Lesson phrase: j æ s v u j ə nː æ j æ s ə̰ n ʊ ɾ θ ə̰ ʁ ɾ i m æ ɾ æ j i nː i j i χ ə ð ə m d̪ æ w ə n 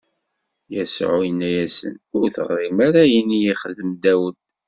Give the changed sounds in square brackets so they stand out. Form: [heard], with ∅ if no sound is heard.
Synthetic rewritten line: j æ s [ʕ] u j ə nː æ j æ s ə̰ n ʊ ɾ θ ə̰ ʁ ɾ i m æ ɾ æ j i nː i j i χ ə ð ə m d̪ æ w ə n